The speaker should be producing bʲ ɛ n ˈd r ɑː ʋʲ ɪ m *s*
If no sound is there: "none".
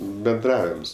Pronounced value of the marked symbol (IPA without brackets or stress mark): s